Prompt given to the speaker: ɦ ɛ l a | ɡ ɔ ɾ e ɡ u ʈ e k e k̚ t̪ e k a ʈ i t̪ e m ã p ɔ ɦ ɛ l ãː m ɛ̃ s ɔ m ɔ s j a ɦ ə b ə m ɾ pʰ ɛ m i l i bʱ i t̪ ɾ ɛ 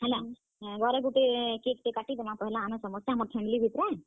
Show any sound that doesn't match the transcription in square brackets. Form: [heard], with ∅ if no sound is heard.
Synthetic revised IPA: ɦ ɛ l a | ɡ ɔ ɾ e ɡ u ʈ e k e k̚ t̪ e k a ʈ i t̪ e m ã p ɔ ɦ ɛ l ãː m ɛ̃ s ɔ m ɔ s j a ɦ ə [m] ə [∅] ɾ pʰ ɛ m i l i bʱ i t̪ ɾ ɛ